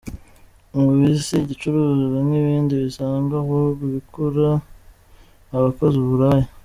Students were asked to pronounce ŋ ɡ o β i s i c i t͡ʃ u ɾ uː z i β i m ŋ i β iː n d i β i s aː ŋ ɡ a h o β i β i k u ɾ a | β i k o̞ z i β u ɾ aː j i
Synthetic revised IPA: ŋ ɡ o β i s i ɟ i t͡ʃ u ɾ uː z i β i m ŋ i β iː n d i β i s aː ŋ ɡ a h o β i β i k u ɾ a | β a k o̞ z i β u ɾ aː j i

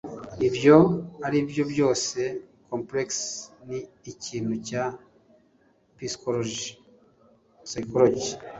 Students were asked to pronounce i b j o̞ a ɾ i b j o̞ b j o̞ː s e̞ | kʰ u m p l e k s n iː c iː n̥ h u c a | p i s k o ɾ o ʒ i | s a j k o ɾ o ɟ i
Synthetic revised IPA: i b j o̞ a ɾ i b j o̞ b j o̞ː s e̞ | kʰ o m p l e k s n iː c iː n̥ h u c a | p i s k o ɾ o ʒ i | s a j k o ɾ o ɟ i

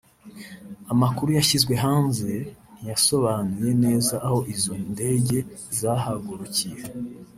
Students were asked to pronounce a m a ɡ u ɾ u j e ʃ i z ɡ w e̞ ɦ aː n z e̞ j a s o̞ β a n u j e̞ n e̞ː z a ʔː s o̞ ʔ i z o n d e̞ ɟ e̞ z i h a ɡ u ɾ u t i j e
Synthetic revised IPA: a m a k u ɾ u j a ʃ i z ɡ w e̞ ɦ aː n z e̞ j a s o̞ β a n u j e̞ n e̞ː z a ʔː h o̞ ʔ i z o n d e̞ ɟ e̞ z a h a ɡ u ɾ u c i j e

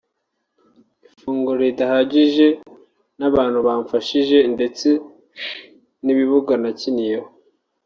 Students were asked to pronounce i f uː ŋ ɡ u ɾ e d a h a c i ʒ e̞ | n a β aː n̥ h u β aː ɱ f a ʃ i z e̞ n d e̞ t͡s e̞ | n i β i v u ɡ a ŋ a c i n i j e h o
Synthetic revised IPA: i f uː ŋ ɡ u ɾ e d a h a ɟ i ʒ e̞ | n a β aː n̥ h u β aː ɱ f a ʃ i ʒ e̞ n d e̞ t͡s e̞ | n i β i β u ɡ a n a c i n i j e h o

